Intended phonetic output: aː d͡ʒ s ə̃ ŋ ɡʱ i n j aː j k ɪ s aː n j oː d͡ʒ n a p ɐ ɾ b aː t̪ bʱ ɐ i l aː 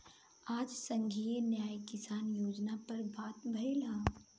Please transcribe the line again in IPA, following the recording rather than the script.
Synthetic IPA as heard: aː d͡ʒ s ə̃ ŋ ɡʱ i n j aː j k ɪ s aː n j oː d͡ʒ n a p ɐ ɾ b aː t̪ bʱ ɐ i l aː